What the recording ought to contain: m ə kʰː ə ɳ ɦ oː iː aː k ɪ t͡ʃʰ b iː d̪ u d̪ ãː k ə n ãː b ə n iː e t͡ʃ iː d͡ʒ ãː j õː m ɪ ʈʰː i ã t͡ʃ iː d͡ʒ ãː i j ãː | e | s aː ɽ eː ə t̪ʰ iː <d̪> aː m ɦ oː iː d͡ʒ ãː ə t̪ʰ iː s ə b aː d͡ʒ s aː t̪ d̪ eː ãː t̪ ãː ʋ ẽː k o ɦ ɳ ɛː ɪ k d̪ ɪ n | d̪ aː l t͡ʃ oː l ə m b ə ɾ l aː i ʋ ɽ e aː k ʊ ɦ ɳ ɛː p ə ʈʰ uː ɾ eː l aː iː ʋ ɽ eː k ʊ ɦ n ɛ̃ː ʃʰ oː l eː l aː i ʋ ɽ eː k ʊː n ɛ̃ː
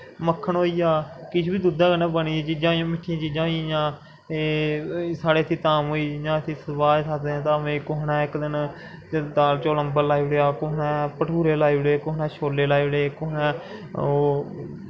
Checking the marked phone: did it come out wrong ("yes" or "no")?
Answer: yes